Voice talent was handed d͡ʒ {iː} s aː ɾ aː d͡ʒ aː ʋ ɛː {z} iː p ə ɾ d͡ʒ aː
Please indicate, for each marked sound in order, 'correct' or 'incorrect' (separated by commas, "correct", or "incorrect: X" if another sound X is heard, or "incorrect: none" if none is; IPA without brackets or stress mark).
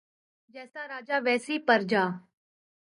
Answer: incorrect: ɛː, incorrect: s